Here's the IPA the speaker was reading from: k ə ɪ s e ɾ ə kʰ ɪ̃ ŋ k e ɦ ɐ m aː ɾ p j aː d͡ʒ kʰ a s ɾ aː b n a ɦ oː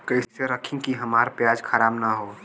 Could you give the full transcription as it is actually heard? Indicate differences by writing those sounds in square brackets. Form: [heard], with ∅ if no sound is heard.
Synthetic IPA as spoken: k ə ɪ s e ɾ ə kʰ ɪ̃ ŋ k [i] ɦ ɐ m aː ɾ p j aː d͡ʒ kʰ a [∅] ɾ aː b n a ɦ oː